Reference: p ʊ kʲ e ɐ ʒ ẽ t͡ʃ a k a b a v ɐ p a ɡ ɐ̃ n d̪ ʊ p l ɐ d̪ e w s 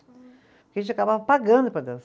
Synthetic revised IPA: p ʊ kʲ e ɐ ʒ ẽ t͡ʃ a k a b a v ɐ p a ɡ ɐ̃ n d̪ ʊ p ɾ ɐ d̪ e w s